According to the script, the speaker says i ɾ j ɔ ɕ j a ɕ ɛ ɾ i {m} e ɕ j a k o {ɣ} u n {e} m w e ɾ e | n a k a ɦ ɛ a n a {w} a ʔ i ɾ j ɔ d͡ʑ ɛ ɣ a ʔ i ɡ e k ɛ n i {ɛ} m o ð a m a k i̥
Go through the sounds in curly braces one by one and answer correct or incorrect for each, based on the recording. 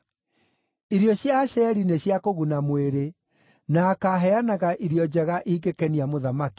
incorrect: n, correct, incorrect: a, incorrect: ɣ, incorrect: a

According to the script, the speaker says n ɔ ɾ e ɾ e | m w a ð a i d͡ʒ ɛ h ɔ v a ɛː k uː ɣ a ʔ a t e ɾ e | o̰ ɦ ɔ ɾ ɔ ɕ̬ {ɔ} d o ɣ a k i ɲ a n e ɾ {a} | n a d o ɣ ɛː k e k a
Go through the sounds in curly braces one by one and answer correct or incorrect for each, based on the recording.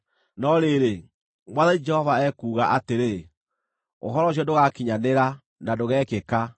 correct, correct

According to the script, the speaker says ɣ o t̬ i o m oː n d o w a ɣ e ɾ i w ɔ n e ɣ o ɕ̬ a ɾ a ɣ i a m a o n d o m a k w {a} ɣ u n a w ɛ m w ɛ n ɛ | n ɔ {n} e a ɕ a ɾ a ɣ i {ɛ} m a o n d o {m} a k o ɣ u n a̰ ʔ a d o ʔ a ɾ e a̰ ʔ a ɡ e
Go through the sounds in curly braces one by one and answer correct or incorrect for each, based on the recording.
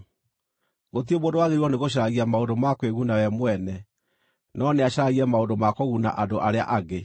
incorrect: e, correct, correct, correct

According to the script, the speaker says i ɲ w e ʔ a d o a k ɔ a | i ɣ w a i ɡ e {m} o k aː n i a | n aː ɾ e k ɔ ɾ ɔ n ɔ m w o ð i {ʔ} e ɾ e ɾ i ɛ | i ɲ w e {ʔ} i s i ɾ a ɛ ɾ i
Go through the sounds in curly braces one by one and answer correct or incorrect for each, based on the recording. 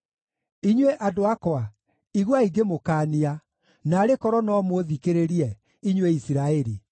correct, incorrect: k, incorrect: none

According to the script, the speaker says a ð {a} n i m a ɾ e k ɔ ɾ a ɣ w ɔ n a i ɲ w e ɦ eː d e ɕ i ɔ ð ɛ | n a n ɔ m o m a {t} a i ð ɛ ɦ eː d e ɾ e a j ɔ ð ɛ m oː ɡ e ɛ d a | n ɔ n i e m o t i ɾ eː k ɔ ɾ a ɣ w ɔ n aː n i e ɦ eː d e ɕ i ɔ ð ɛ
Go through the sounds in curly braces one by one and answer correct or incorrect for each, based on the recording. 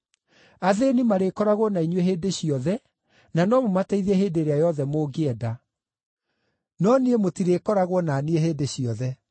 incorrect: e, correct

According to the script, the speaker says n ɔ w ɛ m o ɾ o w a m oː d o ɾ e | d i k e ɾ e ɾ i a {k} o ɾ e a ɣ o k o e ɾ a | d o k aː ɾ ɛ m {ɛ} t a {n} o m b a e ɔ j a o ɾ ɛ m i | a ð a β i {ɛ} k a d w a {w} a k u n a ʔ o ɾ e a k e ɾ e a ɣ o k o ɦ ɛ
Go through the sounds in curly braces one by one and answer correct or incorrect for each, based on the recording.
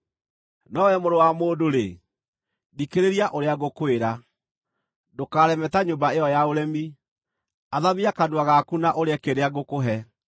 incorrect: ʔ, correct, incorrect: ɲ, incorrect: a, incorrect: ɣ

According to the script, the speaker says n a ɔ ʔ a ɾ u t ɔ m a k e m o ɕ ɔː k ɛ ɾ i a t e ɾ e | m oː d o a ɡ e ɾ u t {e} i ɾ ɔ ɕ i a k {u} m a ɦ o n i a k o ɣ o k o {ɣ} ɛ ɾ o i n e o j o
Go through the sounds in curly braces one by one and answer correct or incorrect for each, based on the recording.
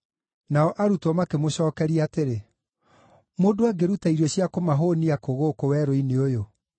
incorrect: a, incorrect: o, incorrect: w

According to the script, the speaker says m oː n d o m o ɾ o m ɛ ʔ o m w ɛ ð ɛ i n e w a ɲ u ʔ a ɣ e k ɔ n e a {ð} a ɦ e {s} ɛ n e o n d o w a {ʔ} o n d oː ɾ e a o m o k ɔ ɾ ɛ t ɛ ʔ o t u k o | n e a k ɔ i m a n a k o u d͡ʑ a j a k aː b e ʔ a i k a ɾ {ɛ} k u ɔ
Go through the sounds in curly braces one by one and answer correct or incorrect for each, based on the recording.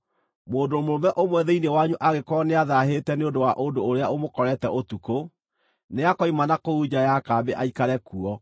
correct, incorrect: t, correct, correct

